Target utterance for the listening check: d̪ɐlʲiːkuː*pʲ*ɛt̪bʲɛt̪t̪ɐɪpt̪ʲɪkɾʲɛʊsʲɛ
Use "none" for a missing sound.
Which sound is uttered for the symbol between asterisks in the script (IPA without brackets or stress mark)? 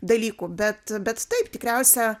bʲ